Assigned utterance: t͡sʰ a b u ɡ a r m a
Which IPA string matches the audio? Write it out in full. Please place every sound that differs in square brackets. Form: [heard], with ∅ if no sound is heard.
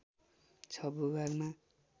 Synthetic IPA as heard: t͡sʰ [ʌ] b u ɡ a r m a